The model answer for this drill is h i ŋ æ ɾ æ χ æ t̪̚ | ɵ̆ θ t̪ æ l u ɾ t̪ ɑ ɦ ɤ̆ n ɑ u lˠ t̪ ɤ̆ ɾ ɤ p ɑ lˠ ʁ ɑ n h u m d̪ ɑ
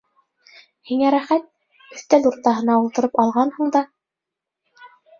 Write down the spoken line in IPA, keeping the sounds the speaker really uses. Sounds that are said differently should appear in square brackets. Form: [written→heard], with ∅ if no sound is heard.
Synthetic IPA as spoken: h i ŋ æ ɾ æ χ æ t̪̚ | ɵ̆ θ t̪ æ l u ɾ t̪ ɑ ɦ ɤ̆ n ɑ u lˠ t̪ ɤ̆ ɾ ɤ p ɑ lˠ ʁ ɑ n h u [m→ɴ] d̪ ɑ